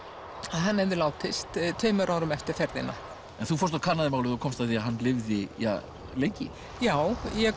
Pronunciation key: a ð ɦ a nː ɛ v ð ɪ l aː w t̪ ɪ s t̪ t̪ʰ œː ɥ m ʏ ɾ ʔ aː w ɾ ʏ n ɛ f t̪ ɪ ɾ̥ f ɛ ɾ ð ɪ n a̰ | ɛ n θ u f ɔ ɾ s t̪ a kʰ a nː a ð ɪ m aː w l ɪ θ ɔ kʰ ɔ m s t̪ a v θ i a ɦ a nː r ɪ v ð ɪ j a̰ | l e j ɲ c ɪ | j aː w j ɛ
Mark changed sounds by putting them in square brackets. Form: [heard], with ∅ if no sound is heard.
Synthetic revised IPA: a ð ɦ a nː ɛ v ð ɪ l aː w t̪ ɪ s t̪ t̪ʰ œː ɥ m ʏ ɾ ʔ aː w ɾ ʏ [m] ɛ f t̪ ɪ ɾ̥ f ɛ ɾ ð ɪ n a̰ | ɛ n θ u f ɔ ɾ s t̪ a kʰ a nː a ð ɪ m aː w l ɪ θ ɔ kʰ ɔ m s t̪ a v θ i a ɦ a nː [l] ɪ v ð ɪ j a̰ | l e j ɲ c ɪ | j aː w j ɛ